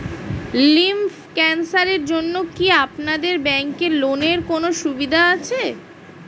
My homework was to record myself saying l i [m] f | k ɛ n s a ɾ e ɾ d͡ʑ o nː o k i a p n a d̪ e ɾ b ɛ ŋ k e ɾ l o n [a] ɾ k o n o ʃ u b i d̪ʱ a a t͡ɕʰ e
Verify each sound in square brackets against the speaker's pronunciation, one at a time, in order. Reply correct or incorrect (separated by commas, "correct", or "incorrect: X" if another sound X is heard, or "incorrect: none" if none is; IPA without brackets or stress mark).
correct, incorrect: e